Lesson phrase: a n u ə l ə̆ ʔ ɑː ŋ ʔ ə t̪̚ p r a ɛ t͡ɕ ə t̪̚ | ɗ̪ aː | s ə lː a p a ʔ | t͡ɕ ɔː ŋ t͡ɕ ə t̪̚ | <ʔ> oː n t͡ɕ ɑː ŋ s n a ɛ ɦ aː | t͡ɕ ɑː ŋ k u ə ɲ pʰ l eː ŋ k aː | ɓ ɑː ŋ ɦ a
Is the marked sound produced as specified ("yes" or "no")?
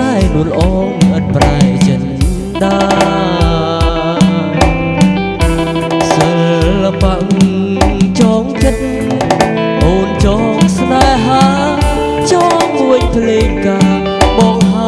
yes